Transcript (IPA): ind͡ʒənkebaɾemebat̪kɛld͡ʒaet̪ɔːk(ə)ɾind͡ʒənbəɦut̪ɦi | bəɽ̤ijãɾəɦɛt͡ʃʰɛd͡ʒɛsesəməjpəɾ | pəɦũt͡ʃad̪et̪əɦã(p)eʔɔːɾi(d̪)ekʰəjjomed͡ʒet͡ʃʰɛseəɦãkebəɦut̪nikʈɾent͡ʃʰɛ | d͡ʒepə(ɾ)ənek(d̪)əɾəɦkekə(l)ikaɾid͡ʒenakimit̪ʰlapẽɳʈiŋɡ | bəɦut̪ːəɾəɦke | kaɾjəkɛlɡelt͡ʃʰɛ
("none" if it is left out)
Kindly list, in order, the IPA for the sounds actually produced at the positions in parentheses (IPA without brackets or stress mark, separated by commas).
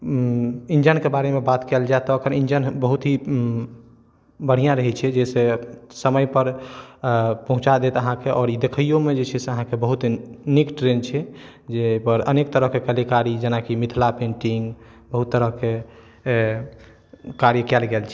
ə, k, d̪, ɾ, t̪, l